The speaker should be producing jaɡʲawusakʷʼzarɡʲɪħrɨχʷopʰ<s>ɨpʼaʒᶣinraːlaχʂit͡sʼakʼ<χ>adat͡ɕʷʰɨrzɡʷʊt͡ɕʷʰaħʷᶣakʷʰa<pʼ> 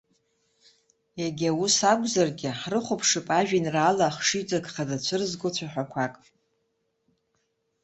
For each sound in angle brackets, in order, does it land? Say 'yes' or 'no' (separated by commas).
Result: no, yes, no